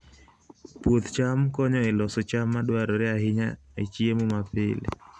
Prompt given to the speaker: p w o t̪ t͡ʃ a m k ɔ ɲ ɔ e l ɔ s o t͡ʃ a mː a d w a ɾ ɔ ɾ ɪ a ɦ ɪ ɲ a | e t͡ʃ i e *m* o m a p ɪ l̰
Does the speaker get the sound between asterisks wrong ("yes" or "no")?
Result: no